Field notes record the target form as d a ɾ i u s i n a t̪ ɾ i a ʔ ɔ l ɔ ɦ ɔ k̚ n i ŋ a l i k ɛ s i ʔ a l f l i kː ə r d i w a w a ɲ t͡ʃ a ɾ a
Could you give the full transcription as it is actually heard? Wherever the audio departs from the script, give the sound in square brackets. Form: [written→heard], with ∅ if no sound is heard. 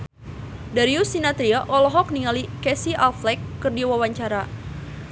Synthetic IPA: d a ɾ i u s i n a t̪ ɾ i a ʔ ɔ l ɔ ɦ ɔ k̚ n i ŋ a l i k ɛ s i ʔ a l f l [i→ɛ] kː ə r d i w a w a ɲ t͡ʃ a ɾ a